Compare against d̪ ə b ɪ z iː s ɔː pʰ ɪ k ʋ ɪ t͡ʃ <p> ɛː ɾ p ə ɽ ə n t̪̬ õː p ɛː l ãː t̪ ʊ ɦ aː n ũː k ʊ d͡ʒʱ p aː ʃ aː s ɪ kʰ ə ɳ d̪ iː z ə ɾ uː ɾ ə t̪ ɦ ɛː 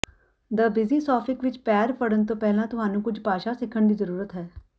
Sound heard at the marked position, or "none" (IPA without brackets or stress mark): p